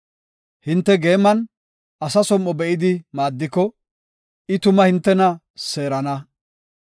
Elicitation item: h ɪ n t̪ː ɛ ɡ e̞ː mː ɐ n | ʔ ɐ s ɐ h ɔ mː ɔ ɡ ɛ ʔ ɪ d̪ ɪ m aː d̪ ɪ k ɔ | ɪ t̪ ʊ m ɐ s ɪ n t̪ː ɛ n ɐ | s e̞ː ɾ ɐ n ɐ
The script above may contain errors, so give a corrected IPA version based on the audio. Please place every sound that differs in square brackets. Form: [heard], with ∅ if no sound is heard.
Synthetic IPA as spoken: h ɪ n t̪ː ɛ ɡ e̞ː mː ɐ n | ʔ ɐ s ɐ [s] ɔ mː ɔ [b] ɛ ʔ ɪ d̪ ɪ m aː [d̪ː] ɪ k ɔ | ɪ t̪ ʊ m ɐ [h] ɪ n t̪ː ɛ n ɐ | s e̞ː ɾ ɐ n ɐ

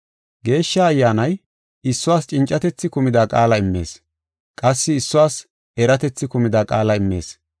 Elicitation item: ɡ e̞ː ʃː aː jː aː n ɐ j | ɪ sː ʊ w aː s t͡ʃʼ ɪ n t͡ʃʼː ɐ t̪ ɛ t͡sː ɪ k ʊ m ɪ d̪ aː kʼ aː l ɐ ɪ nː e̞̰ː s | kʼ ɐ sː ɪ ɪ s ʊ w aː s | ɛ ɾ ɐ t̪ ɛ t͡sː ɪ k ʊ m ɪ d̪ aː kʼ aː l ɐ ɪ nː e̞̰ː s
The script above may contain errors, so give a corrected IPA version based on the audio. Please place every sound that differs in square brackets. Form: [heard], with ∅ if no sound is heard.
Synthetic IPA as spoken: ɡ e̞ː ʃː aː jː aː n ɐ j | ɪ sː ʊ w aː s t͡ʃʼ ɪ n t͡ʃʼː ɐ t̪ ɛ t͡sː ɪ k ʊ m ɪ d̪ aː kʼ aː l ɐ ɪ [mː] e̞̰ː s | kʼ ɐ sː ɪ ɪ [sː] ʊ w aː s | ɛ ɾ ɐ t̪ ɛ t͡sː ɪ k ʊ m ɪ d̪ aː kʼ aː l ɐ ɪ [mː] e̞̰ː s

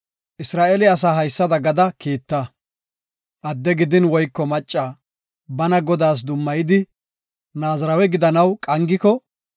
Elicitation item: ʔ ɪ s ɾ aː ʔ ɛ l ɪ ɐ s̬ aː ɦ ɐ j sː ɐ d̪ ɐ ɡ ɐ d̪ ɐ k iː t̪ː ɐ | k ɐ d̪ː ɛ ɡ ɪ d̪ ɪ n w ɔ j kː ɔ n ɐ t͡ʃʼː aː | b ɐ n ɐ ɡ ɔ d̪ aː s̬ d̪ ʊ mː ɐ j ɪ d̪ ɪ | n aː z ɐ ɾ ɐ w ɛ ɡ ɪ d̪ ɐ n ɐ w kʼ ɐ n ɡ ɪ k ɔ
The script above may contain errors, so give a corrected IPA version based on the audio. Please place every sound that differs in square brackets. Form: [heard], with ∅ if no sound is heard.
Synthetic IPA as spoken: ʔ ɪ s ɾ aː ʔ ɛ l ɪ ɐ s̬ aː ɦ ɐ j sː ɐ d̪ ɐ ɡ ɐ d̪ ɐ k iː t̪ː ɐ | [ʔ] ɐ d̪ː ɛ ɡ ɪ d̪ ɪ n w ɔ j kː ɔ [m] ɐ t͡ʃʼː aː | b ɐ n ɐ ɡ ɔ d̪ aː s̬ d̪ ʊ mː ɐ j ɪ d̪ ɪ | n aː z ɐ ɾ ɐ w ɛ ɡ ɪ d̪ ɐ n ɐ w kʼ ɐ [ŋ] ɡ ɪ k ɔ

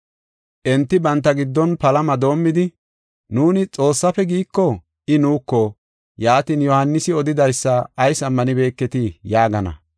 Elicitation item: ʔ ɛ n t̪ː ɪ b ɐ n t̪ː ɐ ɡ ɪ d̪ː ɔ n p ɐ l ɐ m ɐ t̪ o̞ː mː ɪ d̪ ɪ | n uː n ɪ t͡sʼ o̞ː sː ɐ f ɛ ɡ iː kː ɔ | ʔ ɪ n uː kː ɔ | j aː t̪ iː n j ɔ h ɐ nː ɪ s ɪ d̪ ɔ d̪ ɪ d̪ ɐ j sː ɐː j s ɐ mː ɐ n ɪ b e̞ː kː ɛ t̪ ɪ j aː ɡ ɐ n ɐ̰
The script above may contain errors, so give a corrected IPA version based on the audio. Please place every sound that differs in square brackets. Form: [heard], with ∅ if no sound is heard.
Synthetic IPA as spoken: ʔ ɛ n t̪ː ɪ b ɐ n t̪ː ɐ ɡ ɪ d̪ː ɔ n p ɐ l ɐ m ɐ [d̪] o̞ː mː ɪ d̪ ɪ | n uː n ɪ t͡sʼ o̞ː sː ɐ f ɛ ɡ iː kː ɔ | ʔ ɪ n uː kː ɔ | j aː t̪ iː n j ɔ h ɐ nː ɪ s ɪ [∅] ɔ d̪ ɪ d̪ ɐ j sː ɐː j s ɐ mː ɐ n ɪ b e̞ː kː ɛ t̪ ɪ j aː ɡ ɐ n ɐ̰

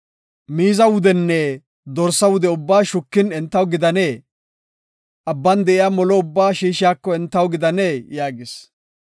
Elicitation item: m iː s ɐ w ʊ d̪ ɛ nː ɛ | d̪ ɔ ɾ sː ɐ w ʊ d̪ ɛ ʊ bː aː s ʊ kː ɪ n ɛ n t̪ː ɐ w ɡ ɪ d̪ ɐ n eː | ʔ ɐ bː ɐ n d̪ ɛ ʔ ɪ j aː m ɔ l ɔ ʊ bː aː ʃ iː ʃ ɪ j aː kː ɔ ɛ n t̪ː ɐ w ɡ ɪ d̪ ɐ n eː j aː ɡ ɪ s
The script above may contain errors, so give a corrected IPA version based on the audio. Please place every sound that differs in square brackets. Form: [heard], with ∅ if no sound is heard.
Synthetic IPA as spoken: m iː [z] ɐ w ʊ d̪ ɛ nː ɛ | d̪ ɔ ɾ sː ɐ w ʊ d̪ ɛ ʊ bː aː [ʃ] ʊ kː ɪ n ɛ n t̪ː ɐ w ɡ ɪ d̪ ɐ n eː | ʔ ɐ bː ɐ n d̪ ɛ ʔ ɪ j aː m ɔ l ɔ ʊ bː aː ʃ iː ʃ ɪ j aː kː ɔ ɛ n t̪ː ɐ w ɡ ɪ d̪ ɐ n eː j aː ɡ ɪ s

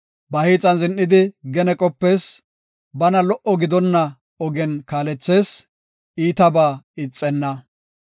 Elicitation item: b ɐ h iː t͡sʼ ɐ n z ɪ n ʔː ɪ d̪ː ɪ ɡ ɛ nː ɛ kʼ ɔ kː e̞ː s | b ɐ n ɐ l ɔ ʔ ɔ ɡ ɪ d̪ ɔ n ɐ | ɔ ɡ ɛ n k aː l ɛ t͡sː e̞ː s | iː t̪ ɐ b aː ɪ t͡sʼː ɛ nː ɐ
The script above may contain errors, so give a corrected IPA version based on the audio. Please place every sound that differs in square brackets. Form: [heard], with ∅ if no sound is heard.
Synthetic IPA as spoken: b ɐ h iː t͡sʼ ɐ n z ɪ n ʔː ɪ [d̪] ɪ ɡ ɛ [n] ɛ kʼ ɔ [pː] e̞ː s | b ɐ n ɐ l ɔ ʔ ɔ ɡ ɪ d̪ ɔ [nː] ɐ | ɔ ɡ ɛ n k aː l ɛ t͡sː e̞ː s | iː t̪ ɐ b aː ɪ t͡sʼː ɛ nː ɐ

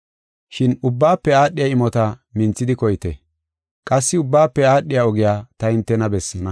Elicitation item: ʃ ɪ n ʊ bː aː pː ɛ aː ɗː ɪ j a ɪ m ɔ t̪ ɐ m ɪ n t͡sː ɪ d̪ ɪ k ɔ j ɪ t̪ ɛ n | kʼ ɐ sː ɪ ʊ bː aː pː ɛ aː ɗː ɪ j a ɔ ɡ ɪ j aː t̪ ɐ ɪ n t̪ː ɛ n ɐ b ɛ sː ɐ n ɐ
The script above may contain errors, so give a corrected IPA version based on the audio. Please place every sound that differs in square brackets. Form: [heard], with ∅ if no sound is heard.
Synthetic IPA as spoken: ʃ ɪ n ʊ bː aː pː ɛ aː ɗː ɪ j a ɪ m ɔ t̪ ɐ m ɪ n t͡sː ɪ d̪ ɪ k ɔ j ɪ t̪ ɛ [∅] | kʼ ɐ sː ɪ ʊ bː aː pː ɛ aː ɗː ɪ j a ɔ ɡ ɪ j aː t̪ ɐ ɪ n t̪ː ɛ n ɐ b ɛ sː ɐ n ɐ

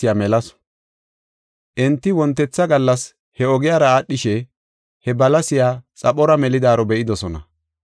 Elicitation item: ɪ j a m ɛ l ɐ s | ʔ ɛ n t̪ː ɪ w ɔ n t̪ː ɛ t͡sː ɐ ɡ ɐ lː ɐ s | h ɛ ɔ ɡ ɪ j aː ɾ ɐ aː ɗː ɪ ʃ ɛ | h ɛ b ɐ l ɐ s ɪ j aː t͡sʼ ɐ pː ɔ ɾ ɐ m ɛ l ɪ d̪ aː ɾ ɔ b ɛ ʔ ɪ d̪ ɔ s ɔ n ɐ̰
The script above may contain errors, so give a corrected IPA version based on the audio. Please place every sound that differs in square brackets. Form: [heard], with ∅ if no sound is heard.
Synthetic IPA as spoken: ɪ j a m ɛ l ɐ s | ʔ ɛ n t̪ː ɪ w ɔ n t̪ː ɛ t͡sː ɐ ɡ ɐ lː ɐ s | h ɛ ɔ ɡ ɪ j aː ɾ ɐ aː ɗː ɪ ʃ ɛ | h ɛ b ɐ l ɐ s ɪ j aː t͡sʼ ɐ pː ɔ ɾ ɐ m ɛ l ɪ d̪ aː ɾ ɔ b ɛ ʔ ɪ d̪ ɔ s ɔ n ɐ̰

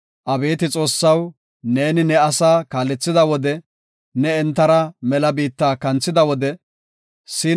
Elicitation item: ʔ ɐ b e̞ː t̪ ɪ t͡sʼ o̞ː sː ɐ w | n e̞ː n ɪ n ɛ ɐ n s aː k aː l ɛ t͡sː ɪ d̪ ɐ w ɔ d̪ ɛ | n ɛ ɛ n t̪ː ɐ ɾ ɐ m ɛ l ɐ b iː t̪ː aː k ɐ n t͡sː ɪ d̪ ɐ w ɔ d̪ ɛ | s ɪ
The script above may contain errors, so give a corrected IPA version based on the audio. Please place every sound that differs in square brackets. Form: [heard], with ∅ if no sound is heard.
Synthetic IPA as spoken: ʔ ɐ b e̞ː t̪ ɪ t͡sʼ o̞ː sː ɐ w | n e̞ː n ɪ n ɛ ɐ [∅] s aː k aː l ɛ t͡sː ɪ d̪ ɐ w ɔ d̪ ɛ | n ɛ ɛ n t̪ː ɐ ɾ ɐ m ɛ l ɐ b iː t̪ː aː k ɐ n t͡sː ɪ d̪ ɐ w ɔ d̪ ɛ | s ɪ

